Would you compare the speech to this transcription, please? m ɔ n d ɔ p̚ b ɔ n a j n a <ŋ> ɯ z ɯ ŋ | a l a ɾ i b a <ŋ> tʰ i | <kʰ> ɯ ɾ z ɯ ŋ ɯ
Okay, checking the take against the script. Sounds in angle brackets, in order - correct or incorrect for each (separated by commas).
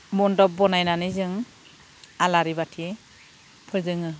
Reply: incorrect, incorrect, incorrect